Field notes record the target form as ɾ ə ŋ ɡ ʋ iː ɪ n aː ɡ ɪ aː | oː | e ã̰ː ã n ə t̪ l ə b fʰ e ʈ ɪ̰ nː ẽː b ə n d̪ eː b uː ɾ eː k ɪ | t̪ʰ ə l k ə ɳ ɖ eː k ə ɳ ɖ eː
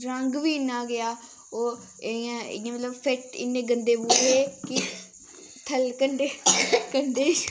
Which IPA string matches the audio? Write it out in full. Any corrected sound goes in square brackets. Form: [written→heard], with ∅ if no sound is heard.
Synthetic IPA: ɾ ə ŋ ɡ ʋ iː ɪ n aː ɡ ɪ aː | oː | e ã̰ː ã [n→m] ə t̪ l ə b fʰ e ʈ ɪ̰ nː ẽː [b→ɡ] ə n d̪ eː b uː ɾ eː k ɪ | t̪ʰ ə l k ə ɳ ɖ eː k ə ɳ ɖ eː